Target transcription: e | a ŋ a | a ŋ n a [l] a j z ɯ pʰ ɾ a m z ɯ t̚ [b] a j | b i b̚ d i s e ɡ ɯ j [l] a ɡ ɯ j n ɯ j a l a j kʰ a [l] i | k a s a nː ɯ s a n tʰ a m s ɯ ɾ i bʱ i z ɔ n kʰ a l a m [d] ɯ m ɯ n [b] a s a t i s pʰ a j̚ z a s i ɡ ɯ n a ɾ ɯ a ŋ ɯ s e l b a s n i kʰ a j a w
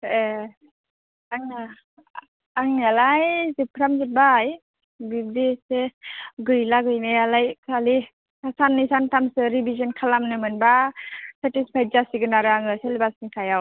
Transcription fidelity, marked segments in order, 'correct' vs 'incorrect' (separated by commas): correct, correct, correct, correct, incorrect, correct